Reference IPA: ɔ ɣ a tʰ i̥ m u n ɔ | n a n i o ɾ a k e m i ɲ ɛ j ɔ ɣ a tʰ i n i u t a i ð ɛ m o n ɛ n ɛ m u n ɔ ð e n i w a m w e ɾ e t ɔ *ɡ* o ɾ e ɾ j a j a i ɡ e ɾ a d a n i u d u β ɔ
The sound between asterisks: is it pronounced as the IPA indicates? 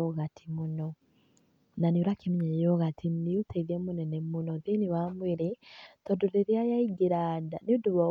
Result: no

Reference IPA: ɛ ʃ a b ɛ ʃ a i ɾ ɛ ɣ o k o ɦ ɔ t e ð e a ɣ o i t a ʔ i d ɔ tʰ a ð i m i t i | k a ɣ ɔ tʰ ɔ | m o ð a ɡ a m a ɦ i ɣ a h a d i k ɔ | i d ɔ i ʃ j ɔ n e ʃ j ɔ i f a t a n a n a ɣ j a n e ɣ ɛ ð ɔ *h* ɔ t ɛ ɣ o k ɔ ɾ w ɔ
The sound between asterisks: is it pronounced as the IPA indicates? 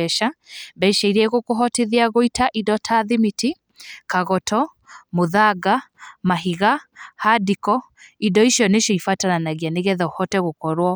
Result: yes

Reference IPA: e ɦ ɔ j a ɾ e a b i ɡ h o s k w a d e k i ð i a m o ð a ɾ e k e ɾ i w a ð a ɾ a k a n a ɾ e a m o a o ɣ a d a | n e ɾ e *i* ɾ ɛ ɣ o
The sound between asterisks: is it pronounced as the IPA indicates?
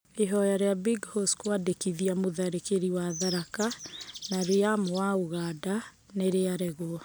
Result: no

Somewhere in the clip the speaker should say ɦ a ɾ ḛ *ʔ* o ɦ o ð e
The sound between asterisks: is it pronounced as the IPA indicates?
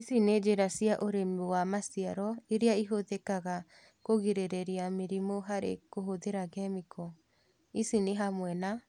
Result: no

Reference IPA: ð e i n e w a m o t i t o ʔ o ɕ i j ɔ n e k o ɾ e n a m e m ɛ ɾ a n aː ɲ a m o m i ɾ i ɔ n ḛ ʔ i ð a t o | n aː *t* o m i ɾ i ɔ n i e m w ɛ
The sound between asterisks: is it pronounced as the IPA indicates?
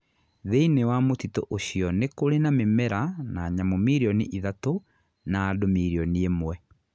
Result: no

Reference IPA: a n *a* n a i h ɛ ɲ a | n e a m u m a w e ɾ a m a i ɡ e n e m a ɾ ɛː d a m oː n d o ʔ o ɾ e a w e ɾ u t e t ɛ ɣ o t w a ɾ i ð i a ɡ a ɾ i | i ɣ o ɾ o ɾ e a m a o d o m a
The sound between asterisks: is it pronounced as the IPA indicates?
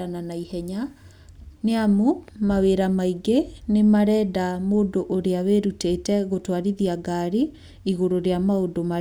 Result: yes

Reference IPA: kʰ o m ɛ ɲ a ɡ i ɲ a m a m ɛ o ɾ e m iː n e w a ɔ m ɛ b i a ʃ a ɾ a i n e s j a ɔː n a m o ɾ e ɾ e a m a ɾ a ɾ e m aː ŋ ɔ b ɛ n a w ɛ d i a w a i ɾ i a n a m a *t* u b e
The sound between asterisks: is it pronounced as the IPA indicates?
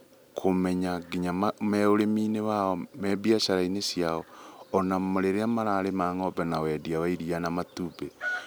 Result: yes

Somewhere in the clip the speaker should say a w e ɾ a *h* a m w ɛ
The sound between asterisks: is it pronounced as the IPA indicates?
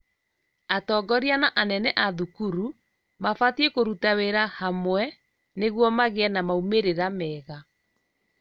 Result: yes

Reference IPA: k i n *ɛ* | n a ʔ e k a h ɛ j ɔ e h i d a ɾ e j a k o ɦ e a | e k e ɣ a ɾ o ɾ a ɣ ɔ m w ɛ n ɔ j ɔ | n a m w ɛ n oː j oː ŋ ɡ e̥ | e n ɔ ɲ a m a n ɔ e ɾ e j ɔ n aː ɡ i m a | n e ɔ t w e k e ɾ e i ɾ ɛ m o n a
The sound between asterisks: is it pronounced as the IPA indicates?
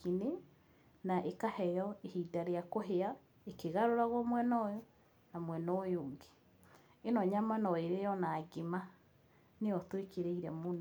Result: no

